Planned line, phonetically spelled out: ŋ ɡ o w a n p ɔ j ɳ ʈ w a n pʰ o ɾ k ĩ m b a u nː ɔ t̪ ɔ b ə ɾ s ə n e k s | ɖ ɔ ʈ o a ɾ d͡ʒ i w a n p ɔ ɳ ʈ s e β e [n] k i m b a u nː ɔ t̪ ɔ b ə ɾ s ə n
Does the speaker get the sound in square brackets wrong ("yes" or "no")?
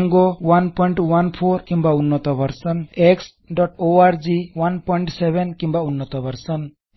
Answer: no